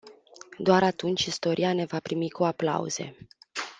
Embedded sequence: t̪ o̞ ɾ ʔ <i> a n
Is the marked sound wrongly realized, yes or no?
no